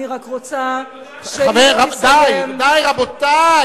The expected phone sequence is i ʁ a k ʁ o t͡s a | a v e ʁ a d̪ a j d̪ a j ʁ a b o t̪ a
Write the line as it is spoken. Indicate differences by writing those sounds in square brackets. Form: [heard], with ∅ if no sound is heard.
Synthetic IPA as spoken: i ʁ a k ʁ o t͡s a | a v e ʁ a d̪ a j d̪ a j ʁ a b o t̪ a